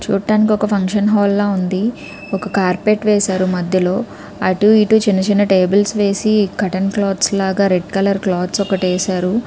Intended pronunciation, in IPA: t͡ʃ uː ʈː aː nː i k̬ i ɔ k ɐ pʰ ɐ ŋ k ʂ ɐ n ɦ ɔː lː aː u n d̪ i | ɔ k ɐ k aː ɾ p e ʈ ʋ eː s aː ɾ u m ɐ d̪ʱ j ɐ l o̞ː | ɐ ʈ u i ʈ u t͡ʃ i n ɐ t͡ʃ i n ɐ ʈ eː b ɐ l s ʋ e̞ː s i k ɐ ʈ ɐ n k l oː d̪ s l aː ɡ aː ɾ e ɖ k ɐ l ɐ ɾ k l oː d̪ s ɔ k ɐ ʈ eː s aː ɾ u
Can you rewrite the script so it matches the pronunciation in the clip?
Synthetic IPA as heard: t͡ʃ uː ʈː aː n i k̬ i ɔ k ɐ pʰ ɐ ŋ k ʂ ɐ n ɦ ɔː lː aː u n d̪ i | ɔ k ɐ k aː ɾ p e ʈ ʋ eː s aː ɾ u m ɐ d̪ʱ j ɐ l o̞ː | ɐ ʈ u i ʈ u t͡ʃ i n ɐ t͡ʃ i n ɐ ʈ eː b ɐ l s ʋ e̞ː s i k ɐ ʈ ɐ n k l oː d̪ s l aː ɡ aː ɾ e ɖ k ɐ l ɐ ɾ k l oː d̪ s ɔ k ɐ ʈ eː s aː ɾ u